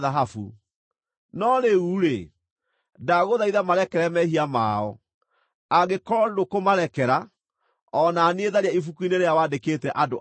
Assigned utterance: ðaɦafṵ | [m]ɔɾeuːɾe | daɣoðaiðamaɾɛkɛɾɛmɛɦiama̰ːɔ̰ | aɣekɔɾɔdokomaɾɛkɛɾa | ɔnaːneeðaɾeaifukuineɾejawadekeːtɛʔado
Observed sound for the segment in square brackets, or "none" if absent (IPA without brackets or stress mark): n